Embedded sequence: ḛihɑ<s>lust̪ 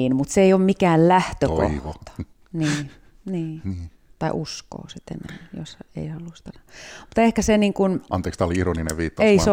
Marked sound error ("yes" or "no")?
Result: yes